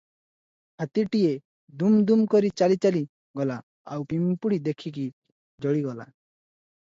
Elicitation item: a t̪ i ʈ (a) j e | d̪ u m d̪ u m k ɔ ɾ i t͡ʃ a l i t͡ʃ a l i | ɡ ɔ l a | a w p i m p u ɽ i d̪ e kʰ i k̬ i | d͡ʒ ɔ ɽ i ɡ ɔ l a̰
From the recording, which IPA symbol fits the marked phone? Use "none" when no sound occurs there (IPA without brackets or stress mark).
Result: i